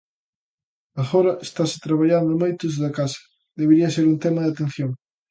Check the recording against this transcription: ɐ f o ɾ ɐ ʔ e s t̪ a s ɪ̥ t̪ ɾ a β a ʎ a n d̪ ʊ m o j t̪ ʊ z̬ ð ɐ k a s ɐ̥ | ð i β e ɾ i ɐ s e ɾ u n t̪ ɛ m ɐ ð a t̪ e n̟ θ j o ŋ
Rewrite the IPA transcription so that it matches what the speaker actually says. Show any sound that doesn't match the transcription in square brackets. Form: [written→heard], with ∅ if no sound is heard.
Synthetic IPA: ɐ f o ɾ ɐ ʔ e s t̪ a s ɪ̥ t̪ ɾ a β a ʎ a n d̪ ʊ m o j t̪ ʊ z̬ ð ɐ k a s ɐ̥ | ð [i→e] β e ɾ i ɐ s e ɾ u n t̪ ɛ m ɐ ð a t̪ e n̟ θ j o ŋ

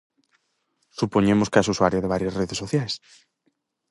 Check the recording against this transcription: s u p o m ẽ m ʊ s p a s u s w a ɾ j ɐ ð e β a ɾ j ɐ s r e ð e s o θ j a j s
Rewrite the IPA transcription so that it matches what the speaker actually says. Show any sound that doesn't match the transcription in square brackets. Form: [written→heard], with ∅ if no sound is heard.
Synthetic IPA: s u p o [m→ɲ] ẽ m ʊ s [p→k] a s u s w a ɾ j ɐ ð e β a ɾ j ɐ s r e ð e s o θ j a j s

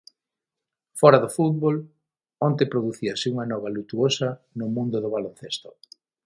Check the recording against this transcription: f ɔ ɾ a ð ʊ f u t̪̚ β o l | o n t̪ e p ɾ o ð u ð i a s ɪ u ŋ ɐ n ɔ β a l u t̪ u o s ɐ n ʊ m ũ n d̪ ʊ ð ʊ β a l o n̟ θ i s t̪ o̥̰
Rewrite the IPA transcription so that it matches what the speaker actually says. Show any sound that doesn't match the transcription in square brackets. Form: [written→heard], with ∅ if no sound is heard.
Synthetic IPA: f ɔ ɾ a ð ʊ f u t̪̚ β o l | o n t̪ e p ɾ o ð u [ð→θ] i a s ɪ u ŋ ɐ n ɔ β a l u t̪ u o s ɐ n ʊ m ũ n d̪ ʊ ð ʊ β a l o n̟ θ [i→e] s t̪ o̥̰

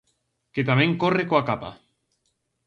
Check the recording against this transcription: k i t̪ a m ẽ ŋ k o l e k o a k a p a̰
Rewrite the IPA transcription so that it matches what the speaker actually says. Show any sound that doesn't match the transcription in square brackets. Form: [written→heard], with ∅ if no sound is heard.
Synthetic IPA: k [i→e] t̪ a m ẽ ŋ k o [l→r] e k o a k a p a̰

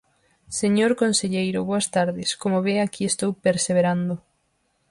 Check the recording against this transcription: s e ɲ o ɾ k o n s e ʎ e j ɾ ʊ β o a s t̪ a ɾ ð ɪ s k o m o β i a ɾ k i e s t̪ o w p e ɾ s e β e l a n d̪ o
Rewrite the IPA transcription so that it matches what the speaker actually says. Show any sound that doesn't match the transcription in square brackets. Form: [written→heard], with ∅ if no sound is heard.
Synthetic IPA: s e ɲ o ɾ k o n s e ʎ e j ɾ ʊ β o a s t̪ a ɾ ð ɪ s k o m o β [i→e] a [ɾ→∅] k i e s t̪ o w p e ɾ s e β e [l→ɾ] a n d̪ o

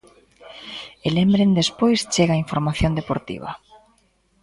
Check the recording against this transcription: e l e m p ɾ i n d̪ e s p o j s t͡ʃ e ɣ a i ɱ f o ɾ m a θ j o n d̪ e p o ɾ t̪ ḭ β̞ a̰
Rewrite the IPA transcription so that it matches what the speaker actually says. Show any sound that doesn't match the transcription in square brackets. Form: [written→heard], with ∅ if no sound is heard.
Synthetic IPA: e l e m [p→b] ɾ [i→e] n d̪ e s p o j s t͡ʃ e ɣ a i ɱ f o ɾ m a θ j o n d̪ e p o ɾ t̪ ḭ β̞ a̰

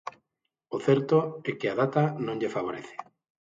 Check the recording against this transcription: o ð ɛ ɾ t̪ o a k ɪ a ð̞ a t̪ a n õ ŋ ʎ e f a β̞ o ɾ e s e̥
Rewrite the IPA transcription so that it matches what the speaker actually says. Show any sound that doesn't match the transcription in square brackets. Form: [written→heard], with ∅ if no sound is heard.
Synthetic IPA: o [ð→θ] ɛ ɾ t̪ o [a→ɛ] k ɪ a ð̞ a t̪ a n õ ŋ ʎ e f a β̞ o ɾ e [s→θ] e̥

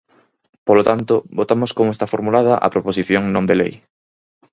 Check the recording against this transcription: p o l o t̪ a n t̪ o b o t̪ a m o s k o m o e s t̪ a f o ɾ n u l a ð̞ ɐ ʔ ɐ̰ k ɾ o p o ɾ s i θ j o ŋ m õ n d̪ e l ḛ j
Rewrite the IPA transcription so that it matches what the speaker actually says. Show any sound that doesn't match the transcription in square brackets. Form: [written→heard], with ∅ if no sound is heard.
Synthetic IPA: p o l o t̪ a n t̪ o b o t̪ a m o s k o m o e s t̪ a f o ɾ [n→m] u l a ð̞ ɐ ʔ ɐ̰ [k→p] ɾ o p o [ɾ→∅] s i θ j o ŋ [m→n] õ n d̪ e l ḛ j

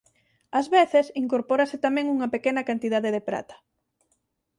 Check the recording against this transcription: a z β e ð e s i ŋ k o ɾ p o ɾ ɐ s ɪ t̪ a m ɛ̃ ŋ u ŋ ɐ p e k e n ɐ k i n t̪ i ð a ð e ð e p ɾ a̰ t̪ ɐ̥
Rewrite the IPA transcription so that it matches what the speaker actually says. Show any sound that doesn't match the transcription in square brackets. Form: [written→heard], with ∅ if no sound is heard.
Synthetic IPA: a z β e [ð→θ] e s i ŋ k o ɾ p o ɾ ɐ s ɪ t̪ a m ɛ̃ ŋ u ŋ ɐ p e k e n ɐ k [i→a] n t̪ i ð a ð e ð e p ɾ a̰ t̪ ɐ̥

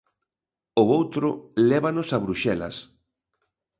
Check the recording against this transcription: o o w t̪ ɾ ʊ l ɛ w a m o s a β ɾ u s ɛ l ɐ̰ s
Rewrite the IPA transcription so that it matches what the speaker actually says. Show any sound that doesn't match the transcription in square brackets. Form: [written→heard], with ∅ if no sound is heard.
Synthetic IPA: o o w t̪ ɾ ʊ l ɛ [w→β] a [m→n] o s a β ɾ u [s→ʃ] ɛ l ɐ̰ s

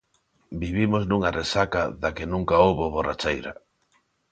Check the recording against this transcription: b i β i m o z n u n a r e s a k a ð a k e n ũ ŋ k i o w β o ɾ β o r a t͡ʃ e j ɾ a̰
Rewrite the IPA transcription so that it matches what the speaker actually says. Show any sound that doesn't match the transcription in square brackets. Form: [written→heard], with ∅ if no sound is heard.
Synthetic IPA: b i β i m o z n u [n→ŋ] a r e s a k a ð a k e n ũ ŋ k [i→a] o w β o [ɾ→∅] β o r a t͡ʃ e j ɾ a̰

